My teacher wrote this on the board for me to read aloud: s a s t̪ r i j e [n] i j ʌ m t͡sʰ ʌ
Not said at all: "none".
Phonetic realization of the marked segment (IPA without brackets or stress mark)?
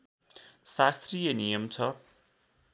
n